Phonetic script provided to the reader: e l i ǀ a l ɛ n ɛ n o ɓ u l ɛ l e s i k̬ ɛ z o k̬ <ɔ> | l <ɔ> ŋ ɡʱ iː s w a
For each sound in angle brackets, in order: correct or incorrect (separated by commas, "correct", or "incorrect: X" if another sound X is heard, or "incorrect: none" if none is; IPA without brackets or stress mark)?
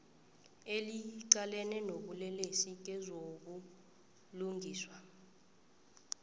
incorrect: u, incorrect: u